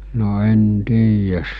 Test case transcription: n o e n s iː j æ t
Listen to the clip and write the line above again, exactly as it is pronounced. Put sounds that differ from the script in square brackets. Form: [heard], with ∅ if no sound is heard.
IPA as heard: n o e n [t] iː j æ [s]